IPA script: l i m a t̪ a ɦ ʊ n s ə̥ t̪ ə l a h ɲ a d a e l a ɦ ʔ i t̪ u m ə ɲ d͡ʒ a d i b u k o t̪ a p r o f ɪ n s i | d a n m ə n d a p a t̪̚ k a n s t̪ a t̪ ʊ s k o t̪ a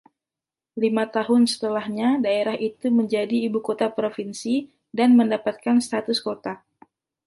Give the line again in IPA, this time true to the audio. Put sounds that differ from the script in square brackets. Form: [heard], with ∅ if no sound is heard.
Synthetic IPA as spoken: l i m a t̪ a ɦ ʊ n s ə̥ t̪ ə l a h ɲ a d a e [ɾ] a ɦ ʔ i t̪ u m ə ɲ d͡ʒ a d [iː] b u k o t̪ a p [ɾ] o f [i] n s i | d a n m ə n d a p a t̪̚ k a n s t̪ a t̪ ʊ s k o t̪ a